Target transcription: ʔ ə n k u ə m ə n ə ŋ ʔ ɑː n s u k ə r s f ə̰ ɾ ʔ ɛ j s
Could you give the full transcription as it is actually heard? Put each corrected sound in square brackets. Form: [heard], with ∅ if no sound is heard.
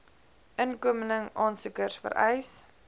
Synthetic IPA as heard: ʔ ə n k u ə m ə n ə ŋ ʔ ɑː n s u k ə r s f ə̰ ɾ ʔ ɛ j s